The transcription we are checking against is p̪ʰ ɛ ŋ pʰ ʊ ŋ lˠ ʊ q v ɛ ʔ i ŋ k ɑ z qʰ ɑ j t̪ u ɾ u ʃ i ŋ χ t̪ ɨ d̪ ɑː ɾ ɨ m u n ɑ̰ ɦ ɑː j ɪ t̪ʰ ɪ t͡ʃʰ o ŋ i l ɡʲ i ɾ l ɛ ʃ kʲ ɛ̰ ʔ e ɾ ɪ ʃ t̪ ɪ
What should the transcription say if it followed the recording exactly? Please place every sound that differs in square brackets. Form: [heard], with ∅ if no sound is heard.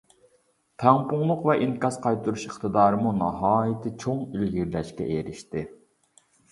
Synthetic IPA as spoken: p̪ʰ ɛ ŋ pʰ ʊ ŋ lˠ ʊ q v ɛ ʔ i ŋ k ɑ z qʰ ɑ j t̪ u ɾ u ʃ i [∅] χ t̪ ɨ d̪ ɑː ɾ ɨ m u n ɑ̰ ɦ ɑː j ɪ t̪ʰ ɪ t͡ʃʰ o ŋ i l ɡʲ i ɾ l ɛ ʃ kʲ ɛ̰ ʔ e ɾ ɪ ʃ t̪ ɪ